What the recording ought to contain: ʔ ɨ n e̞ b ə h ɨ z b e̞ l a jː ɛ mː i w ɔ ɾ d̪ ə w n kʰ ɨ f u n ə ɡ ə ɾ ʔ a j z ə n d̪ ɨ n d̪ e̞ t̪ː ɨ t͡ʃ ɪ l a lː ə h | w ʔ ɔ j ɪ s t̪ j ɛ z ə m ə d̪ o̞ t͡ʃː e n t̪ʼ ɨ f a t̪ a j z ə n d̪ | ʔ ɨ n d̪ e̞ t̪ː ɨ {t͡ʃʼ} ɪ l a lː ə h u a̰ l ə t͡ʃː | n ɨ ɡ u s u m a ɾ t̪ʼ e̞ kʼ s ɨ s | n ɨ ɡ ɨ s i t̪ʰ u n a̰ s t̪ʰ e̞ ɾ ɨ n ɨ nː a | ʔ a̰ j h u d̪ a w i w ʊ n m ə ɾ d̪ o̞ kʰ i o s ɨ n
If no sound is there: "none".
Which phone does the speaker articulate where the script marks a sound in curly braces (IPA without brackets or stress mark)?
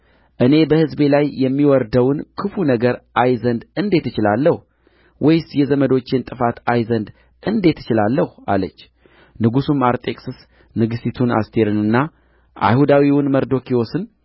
t͡ʃ